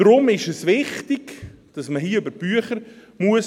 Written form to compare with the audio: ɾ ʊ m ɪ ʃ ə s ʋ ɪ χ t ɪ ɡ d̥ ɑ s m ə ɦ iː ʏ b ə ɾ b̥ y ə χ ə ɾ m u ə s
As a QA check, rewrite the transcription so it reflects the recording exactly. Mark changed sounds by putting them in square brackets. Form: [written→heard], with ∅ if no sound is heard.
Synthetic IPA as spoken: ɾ ʊ m ɪ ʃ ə s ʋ ɪ χ t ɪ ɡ d̥ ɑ s m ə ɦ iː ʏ b ə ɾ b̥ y ə χ ə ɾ m u ə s